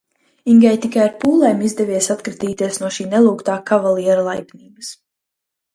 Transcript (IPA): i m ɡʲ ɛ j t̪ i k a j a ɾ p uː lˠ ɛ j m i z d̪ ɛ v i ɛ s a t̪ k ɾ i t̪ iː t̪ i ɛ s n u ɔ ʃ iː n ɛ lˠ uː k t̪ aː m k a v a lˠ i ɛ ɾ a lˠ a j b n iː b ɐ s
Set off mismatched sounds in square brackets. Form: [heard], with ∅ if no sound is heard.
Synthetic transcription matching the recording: i [ŋ] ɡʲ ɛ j t̪ i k a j a ɾ p uː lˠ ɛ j m i z d̪ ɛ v i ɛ s a t̪ k ɾ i t̪ iː t̪ i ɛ s n u ɔ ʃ iː n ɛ lˠ uː k t̪ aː [∅] k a v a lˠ i ɛ ɾ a lˠ a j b n iː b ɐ s